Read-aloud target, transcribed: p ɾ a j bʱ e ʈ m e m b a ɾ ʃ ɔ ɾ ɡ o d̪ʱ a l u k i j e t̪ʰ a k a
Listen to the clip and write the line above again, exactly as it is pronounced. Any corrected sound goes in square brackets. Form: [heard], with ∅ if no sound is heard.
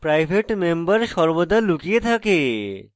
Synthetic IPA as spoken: p ɾ a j bʱ e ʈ m e m b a ɾ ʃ ɔ ɾ [b] o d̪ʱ a l u k i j e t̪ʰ a k [e]